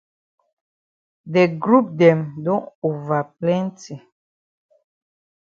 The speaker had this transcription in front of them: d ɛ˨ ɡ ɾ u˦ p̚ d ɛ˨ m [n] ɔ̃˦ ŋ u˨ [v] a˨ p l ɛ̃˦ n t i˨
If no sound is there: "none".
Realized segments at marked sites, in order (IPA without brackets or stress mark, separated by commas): d, v